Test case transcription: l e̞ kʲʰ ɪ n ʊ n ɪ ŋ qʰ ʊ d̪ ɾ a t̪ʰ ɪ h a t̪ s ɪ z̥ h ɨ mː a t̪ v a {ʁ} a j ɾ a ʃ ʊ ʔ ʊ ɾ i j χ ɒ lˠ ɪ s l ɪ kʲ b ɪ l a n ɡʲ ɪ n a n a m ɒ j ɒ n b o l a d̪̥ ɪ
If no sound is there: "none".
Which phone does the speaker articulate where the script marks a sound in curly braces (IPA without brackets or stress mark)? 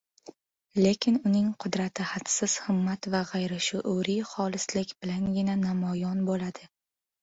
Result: ʁ